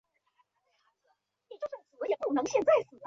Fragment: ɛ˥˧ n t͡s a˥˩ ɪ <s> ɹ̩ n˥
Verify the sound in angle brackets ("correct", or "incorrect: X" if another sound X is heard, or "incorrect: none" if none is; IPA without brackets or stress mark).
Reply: correct